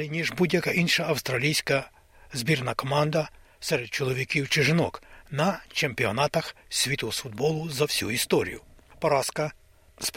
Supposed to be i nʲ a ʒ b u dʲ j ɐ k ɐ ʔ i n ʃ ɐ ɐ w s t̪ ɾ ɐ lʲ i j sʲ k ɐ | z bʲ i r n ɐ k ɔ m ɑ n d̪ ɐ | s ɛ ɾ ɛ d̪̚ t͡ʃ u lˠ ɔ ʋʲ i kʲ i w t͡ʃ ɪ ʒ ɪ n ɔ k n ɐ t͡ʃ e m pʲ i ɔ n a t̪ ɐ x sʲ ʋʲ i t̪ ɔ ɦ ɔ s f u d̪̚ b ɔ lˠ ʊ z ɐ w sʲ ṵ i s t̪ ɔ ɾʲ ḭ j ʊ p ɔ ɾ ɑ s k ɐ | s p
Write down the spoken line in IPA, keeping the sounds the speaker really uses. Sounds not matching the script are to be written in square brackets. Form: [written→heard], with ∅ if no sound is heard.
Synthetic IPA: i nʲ [a→i] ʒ b u dʲ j ɐ k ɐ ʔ i n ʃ ɐ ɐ w s t̪ ɾ ɐ lʲ i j sʲ k ɐ | z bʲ i r n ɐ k ɔ m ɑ n d̪ ɐ | s ɛ ɾ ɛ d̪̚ t͡ʃ [u→ɔ] lˠ ɔ ʋʲ i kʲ i w t͡ʃ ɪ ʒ ɪ n ɔ k n ɐ t͡ʃ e m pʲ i ɔ n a t̪ ɐ x sʲ ʋʲ i t̪ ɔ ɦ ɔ s f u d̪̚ b ɔ lˠ ʊ z ɐ w sʲ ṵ i s t̪ ɔ ɾʲ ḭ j ʊ p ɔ ɾ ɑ s k ɐ | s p